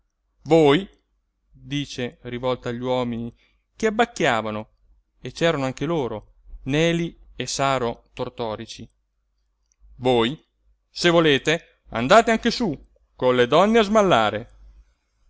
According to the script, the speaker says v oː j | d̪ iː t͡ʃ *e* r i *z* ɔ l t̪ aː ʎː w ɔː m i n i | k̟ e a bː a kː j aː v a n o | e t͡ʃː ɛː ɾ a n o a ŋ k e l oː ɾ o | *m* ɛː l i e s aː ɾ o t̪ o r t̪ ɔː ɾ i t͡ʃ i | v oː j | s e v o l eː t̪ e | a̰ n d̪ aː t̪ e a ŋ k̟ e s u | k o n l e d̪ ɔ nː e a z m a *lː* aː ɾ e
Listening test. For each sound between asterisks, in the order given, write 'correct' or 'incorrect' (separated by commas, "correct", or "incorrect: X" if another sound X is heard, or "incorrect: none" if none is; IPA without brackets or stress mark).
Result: correct, incorrect: v, incorrect: n, correct